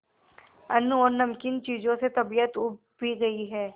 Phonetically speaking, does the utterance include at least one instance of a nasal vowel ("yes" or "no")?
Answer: yes